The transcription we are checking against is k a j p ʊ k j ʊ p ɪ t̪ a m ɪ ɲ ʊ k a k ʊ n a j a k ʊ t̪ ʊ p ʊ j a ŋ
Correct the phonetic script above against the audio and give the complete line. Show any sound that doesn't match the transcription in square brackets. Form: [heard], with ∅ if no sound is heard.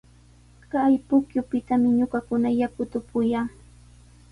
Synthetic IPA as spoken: k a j p ʊ k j ʊ p ɪ t̪ a m ɪ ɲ ʊ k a k ʊ n a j a k ʊ t̪ ʊ p ʊ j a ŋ